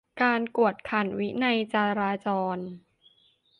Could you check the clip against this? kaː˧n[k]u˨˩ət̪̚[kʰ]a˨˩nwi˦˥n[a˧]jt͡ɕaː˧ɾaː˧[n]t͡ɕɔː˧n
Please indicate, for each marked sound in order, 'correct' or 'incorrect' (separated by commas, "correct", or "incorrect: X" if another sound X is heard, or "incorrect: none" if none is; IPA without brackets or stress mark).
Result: correct, correct, correct, incorrect: none